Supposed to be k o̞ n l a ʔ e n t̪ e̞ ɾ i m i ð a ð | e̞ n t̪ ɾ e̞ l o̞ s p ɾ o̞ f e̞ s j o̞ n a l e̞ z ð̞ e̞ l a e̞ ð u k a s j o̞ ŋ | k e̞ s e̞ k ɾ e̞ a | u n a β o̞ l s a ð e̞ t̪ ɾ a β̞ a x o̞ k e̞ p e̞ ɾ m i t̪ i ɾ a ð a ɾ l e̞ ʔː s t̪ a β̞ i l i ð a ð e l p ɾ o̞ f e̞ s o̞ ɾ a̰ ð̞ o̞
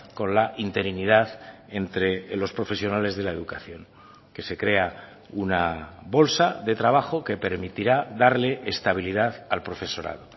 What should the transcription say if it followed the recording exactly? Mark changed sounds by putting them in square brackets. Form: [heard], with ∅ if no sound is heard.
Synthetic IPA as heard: k o̞ n l a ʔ [i] n t̪ e̞ ɾ i [n] i ð a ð | e̞ n t̪ ɾ e̞ l o̞ s p ɾ o̞ f e̞ s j o̞ n a l e̞ z ð̞ e̞ l a e̞ ð u k a [θ] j o̞ ŋ | k e̞ s e̞ k ɾ e̞ a | u n a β o̞ l s a ð e̞ t̪ ɾ a β̞ a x o̞ k e̞ p e̞ ɾ m i t̪ i ɾ a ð a ɾ l e̞ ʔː s t̪ a β̞ i l i ð a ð [a] l p ɾ o̞ f e̞ s o̞ ɾ a̰ ð̞ o̞